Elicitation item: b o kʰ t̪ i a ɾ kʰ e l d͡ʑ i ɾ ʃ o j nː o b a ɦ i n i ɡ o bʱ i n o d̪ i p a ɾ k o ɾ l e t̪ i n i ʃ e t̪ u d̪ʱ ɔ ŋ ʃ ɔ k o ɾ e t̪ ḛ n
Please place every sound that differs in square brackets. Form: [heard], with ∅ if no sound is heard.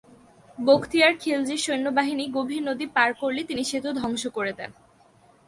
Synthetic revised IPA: b o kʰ t̪ i a ɾ kʰ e l d͡ʑ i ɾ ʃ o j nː o b a ɦ i n i ɡ o bʱ i n o d̪ i p a ɾ k o ɾ l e t̪ i n i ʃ e t̪ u d̪ʱ ɔ ŋ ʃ [o] k o ɾ e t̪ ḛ n